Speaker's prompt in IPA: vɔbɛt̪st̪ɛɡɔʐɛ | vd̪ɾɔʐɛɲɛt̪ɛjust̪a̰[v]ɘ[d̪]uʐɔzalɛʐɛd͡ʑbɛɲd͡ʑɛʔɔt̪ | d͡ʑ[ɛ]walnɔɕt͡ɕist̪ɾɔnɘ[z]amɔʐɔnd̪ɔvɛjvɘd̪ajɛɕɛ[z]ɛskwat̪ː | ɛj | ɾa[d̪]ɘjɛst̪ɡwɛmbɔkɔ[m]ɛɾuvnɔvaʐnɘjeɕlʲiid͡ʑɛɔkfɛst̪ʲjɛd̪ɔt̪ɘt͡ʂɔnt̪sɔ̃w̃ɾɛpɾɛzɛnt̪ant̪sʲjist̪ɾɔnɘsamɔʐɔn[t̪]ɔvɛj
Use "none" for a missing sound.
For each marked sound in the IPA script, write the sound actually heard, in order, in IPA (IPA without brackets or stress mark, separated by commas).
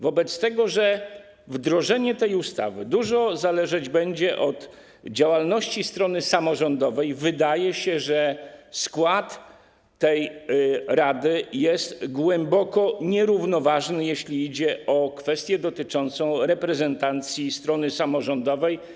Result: v, d̪, a, s, ʐ, d̪, ɲ, d̪